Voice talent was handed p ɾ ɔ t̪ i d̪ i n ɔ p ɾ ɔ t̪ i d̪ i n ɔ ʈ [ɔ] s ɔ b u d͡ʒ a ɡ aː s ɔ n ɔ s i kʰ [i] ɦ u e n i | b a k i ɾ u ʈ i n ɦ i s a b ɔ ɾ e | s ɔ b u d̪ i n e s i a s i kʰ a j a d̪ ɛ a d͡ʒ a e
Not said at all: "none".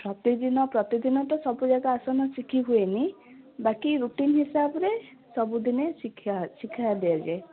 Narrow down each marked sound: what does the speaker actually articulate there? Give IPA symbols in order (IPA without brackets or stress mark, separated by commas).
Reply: ɔ, i